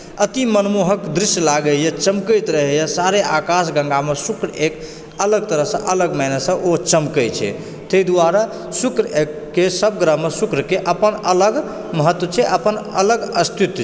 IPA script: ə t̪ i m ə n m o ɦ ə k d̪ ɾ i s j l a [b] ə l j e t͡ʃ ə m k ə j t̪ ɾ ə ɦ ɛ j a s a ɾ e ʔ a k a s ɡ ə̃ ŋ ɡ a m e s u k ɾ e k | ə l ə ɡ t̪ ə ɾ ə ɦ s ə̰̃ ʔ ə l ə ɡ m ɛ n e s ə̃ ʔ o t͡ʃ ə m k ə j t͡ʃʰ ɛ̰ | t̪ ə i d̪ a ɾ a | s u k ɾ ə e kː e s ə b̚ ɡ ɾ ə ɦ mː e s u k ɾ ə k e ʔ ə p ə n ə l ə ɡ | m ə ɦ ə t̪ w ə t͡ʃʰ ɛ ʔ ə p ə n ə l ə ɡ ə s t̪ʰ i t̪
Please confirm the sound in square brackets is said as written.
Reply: no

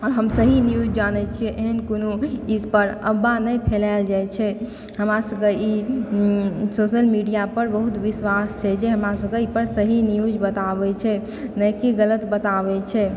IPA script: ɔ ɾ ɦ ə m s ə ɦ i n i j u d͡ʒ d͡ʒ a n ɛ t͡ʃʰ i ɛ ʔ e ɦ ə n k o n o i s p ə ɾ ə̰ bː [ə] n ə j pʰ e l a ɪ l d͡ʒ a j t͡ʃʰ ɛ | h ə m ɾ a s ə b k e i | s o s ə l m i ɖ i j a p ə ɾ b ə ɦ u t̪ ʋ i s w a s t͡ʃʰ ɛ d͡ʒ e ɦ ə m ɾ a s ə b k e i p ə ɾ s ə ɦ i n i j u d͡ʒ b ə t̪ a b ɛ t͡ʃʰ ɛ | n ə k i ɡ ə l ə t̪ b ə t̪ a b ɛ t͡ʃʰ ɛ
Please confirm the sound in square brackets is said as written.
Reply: no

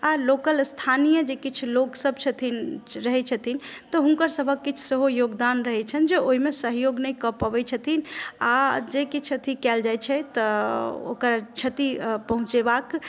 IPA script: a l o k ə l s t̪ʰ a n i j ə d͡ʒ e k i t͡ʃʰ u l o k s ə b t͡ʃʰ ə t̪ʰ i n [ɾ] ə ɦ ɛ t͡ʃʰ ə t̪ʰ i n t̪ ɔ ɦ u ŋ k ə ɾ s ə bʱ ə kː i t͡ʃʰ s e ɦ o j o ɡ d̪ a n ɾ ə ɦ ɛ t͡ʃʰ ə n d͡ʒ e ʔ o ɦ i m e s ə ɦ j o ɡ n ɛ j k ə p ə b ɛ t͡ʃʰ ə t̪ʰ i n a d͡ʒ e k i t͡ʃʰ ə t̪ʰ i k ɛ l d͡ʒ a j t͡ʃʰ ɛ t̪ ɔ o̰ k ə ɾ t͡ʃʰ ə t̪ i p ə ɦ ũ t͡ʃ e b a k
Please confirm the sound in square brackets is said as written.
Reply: yes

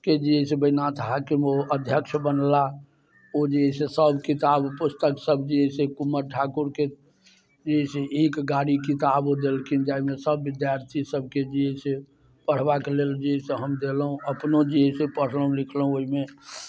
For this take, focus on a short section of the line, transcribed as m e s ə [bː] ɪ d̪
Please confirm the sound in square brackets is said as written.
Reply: yes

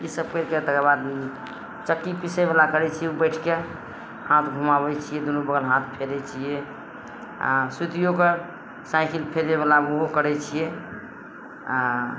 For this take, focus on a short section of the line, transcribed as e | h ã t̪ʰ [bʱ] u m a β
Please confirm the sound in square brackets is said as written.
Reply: no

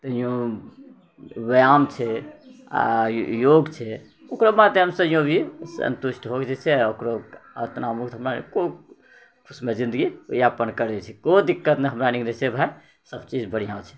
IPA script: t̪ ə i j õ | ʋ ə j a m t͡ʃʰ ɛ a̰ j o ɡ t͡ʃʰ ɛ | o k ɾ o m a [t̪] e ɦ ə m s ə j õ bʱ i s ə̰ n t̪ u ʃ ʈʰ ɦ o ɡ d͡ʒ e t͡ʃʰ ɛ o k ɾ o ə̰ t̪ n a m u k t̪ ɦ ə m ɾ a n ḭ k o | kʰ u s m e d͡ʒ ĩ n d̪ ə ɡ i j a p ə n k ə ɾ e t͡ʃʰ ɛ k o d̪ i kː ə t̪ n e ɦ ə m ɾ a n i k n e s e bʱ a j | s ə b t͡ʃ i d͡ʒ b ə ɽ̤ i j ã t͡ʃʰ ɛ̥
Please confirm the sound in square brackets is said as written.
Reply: yes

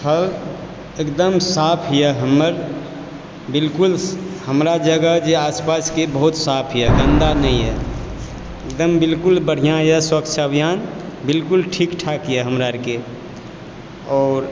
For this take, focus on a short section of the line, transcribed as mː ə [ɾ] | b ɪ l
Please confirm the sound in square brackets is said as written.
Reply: yes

